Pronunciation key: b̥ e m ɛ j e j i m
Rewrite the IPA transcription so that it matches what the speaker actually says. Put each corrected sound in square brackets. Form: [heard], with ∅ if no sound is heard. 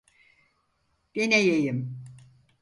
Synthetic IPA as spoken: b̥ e [n] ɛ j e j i m